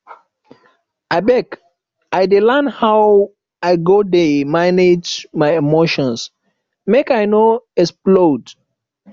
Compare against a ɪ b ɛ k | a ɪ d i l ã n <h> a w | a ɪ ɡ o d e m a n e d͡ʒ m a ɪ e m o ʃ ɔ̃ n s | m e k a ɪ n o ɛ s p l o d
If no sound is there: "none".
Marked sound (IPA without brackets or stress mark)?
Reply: h